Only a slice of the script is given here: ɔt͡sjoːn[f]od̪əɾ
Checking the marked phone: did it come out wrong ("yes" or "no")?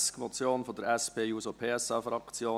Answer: no